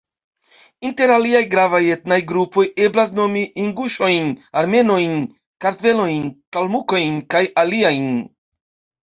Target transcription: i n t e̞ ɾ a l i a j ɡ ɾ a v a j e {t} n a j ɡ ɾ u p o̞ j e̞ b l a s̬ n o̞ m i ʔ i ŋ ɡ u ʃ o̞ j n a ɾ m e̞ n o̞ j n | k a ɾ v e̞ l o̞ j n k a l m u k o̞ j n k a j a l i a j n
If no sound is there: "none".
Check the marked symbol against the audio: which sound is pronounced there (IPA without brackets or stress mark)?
t